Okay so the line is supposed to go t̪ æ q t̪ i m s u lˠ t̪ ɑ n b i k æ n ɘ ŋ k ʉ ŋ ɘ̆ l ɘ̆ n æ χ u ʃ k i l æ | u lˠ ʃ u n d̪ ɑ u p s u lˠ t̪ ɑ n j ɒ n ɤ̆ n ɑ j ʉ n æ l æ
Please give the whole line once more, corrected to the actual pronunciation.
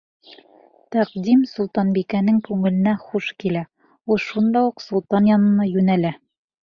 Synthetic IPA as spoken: t̪ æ q d̪ i m s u lˠ t̪ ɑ n b i k æ n ɘ ŋ k ʉ ŋ ɘ̆ l ɘ̆ n æ χ u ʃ k i l æ | u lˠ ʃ u n d̪ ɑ u q s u lˠ t̪ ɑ n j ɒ n ɤ̆ n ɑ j ʉ n æ l æ